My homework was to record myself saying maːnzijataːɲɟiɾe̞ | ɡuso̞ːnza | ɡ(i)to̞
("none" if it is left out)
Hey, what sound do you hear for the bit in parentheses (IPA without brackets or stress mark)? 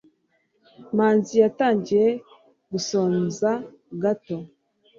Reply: a